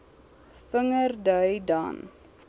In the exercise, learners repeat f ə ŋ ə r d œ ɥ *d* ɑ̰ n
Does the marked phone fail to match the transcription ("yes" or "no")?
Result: no